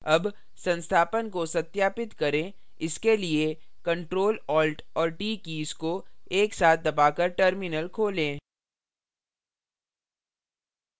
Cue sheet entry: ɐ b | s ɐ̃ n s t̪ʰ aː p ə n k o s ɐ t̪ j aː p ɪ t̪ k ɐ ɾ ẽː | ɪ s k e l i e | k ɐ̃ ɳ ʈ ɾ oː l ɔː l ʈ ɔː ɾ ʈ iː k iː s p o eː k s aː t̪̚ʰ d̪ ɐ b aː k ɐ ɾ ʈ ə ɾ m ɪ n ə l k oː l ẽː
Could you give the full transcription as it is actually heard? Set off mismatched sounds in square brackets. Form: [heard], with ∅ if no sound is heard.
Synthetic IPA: ɐ b | s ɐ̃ n s t̪ʰ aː p ə n k o s ɐ t̪ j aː p ɪ t̪ k ɐ ɾ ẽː | ɪ s k e l i e | k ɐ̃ ɳ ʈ ɾ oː l ɔː l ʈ ɔː ɾ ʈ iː k iː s [k] o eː k s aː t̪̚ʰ d̪ ɐ b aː k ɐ ɾ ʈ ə ɾ m ɪ n ə l [kʰ] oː l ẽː